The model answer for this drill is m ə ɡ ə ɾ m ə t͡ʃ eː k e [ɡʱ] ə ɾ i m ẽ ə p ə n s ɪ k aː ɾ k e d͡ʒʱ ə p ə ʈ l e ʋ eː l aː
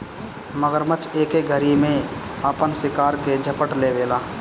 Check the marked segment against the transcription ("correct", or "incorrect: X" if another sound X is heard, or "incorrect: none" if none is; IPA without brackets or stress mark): correct